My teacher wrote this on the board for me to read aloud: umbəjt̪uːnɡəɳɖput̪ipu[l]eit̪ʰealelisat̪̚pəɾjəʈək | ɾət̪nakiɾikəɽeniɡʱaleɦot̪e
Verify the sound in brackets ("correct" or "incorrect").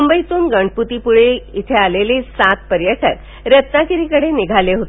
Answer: incorrect